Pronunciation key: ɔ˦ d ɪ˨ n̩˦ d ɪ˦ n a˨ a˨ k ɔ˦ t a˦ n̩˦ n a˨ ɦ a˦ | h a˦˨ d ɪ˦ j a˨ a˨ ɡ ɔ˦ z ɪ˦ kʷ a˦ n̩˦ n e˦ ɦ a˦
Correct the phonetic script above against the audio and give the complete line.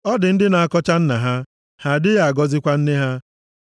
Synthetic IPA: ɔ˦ d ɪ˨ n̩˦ d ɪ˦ n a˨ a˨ k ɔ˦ t͡ʃ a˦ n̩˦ n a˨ ɦ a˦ | h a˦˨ d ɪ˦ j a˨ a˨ ɡ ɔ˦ z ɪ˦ kʷ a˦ n̩˦ n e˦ ɦ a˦

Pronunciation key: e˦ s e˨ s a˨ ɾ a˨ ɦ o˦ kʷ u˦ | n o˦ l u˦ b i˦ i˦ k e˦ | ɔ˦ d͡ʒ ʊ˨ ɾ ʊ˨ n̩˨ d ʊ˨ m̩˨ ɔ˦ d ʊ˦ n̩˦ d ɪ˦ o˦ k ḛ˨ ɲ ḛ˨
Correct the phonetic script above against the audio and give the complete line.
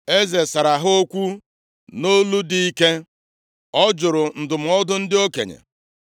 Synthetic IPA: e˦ z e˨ s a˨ ɾ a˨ ɦ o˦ kʷ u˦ | n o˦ l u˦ d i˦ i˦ k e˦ | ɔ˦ d͡ʒ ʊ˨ ɾ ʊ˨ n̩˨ d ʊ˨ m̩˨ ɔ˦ d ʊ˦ n̩˦ d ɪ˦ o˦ k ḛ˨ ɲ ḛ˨

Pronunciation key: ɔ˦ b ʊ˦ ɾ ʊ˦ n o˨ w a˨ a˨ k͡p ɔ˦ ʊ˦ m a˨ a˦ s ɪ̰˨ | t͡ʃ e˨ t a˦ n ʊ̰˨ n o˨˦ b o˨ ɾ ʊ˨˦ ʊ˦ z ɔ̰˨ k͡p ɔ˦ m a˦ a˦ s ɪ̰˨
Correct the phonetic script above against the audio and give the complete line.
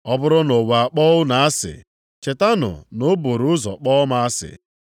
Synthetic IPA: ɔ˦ b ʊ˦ ɾ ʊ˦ n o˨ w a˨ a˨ k͡p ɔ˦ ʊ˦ n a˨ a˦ s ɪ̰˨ | t͡ʃ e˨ t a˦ n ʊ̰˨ n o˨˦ b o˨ ɾ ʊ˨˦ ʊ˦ z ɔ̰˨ k͡p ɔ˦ m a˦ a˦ s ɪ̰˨

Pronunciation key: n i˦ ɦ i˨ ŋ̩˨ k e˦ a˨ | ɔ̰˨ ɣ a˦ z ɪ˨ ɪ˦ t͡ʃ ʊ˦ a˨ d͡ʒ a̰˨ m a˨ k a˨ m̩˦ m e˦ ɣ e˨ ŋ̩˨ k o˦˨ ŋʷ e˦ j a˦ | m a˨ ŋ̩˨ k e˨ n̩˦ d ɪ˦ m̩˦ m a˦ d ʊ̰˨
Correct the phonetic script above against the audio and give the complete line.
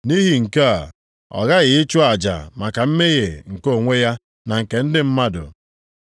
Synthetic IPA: n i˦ ɦ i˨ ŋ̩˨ k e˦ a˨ | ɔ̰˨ ɣ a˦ ɣ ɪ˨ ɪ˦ t͡ʃ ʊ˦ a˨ d͡ʒ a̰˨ m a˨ k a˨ m̩˦ m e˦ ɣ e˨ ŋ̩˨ k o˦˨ ŋʷ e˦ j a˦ | n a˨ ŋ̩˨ k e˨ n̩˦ d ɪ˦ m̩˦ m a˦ d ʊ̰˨

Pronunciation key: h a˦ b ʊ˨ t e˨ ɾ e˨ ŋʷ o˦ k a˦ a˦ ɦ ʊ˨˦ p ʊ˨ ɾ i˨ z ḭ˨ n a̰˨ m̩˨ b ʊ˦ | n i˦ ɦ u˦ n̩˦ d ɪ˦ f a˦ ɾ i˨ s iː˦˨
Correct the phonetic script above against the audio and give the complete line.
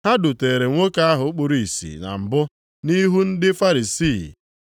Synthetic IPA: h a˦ d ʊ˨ t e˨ ɾ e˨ ŋʷ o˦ k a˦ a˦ ɦ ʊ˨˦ k͡p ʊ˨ ɾ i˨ s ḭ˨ n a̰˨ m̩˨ b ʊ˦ | n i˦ ɦ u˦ n̩˦ d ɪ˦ f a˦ ɾ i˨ s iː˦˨

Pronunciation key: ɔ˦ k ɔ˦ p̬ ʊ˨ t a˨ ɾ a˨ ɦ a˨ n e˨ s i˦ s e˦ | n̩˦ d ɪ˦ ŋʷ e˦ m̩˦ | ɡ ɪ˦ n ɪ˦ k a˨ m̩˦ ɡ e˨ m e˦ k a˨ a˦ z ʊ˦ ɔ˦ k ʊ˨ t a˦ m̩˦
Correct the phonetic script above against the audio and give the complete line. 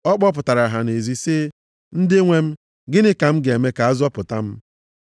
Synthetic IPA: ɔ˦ k͡p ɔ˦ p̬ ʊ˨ t a˨ ɾ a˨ ɦ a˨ n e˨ z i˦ s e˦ | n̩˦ d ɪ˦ ŋʷ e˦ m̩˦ | ɡ ɪ˦ n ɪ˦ k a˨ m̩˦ ɡ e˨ m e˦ k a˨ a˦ z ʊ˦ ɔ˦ p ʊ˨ t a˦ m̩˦

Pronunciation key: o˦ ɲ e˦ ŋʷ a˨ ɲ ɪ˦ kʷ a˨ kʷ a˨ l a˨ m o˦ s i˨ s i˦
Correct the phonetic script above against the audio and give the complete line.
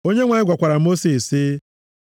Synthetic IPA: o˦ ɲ e˦ ŋʷ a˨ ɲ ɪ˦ ɡʷ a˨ kʷ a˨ ɾ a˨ m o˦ s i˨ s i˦

